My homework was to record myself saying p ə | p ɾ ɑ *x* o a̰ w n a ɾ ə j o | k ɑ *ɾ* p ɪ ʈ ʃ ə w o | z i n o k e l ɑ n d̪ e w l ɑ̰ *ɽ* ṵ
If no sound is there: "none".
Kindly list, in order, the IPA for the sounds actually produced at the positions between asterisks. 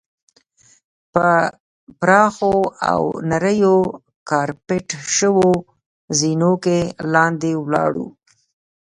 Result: x, ɾ, ɽ

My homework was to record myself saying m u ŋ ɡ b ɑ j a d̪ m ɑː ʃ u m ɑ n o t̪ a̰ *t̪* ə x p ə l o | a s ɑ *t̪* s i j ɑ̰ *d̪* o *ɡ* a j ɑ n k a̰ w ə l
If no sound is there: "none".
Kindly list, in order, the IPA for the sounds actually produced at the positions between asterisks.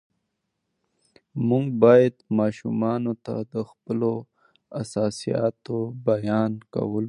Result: d̪, none, t̪, b

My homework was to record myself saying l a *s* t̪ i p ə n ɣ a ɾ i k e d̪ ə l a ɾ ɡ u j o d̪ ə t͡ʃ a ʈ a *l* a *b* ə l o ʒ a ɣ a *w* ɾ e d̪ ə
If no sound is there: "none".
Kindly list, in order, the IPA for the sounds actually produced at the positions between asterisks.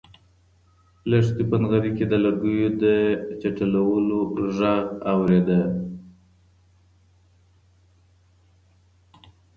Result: ʂ, l, w, w

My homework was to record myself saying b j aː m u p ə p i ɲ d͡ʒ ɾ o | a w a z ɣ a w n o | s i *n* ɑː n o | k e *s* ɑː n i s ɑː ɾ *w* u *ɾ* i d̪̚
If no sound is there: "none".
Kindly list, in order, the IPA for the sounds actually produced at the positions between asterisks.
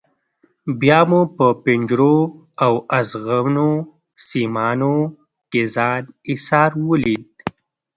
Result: m, z, w, l

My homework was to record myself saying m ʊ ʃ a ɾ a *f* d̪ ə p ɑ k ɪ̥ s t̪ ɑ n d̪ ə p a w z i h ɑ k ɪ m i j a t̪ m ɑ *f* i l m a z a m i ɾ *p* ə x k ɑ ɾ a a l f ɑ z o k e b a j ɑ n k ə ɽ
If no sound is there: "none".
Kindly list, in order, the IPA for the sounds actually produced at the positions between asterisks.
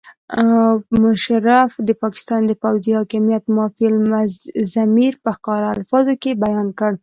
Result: f, f, p

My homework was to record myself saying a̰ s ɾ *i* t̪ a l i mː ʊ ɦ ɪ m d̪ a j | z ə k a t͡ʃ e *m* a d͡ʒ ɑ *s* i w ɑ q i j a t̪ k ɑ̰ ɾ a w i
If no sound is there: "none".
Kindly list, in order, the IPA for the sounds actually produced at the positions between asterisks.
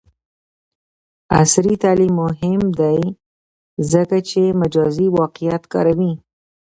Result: i, m, z

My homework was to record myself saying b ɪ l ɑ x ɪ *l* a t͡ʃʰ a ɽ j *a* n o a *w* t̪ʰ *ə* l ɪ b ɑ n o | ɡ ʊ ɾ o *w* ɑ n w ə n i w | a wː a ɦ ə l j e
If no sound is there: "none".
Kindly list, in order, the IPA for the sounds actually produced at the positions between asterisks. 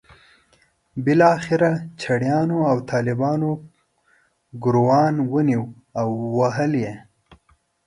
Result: ɾ, ɑ, w, ɑ, w

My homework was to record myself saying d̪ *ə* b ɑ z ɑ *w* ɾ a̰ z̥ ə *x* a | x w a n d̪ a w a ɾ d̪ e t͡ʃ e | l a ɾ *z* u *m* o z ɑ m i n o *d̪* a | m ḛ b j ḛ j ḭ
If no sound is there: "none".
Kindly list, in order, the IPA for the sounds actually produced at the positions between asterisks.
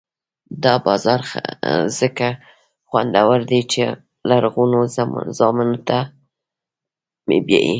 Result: ɑ, none, k, ɣ, n, t̪

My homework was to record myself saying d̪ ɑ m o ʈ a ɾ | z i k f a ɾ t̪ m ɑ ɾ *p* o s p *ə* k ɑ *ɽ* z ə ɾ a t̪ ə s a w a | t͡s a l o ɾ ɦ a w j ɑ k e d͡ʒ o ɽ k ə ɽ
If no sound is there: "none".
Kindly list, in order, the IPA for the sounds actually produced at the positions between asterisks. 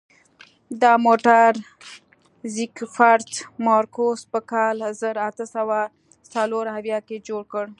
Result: k, ə, l

